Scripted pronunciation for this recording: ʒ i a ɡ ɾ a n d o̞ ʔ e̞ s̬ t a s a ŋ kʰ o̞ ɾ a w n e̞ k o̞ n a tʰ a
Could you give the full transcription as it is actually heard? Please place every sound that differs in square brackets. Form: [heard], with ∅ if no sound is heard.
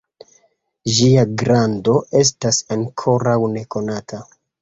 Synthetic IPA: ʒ i a ɡ ɾ a n d o̞ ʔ e̞ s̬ t a s a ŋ kʰ o̞ ɾ a w n e̞ k o̞ n a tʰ a